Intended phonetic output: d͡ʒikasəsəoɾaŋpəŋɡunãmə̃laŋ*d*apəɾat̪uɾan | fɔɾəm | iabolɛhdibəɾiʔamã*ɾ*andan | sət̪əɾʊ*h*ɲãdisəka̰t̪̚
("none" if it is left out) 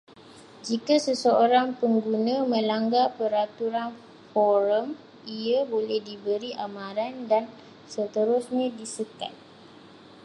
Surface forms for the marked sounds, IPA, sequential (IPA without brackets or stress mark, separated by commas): ɡ, ɾ, s